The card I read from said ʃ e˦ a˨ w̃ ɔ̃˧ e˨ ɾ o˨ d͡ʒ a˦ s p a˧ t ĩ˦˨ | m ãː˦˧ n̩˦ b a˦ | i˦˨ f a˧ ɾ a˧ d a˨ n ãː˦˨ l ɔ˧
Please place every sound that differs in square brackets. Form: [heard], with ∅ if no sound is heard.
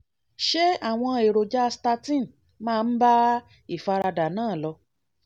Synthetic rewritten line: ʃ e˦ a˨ w̃ ɔ̃˧ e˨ ɾ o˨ d͡ʒ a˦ s [t] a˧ t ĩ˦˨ | m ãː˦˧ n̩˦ b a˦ | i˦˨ f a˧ ɾ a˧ d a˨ n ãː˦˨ l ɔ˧